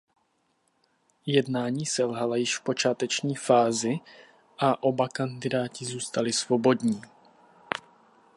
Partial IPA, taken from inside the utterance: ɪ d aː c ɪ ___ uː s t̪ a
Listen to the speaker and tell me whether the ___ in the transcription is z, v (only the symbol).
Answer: z